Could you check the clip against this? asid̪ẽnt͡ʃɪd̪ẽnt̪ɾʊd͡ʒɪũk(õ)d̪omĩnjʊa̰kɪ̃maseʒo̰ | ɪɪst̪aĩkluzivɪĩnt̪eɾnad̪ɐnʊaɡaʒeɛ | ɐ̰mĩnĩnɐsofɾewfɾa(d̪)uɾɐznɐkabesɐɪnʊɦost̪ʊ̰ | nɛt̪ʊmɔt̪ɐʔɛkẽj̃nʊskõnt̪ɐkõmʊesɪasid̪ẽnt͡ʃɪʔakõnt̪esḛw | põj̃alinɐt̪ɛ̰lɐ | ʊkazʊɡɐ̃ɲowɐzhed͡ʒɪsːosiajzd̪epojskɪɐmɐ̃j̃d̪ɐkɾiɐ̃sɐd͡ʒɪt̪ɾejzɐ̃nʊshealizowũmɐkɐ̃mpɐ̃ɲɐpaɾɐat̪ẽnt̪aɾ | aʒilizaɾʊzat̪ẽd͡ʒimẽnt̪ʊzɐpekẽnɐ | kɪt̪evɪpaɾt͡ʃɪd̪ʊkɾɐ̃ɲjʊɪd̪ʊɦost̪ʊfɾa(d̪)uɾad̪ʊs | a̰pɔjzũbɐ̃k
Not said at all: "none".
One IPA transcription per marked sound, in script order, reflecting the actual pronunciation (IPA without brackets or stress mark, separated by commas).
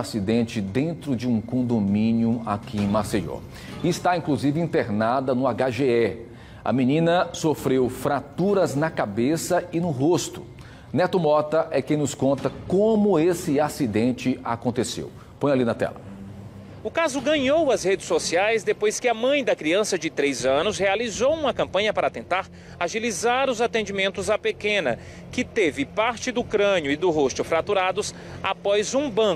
õ, t̪, t̪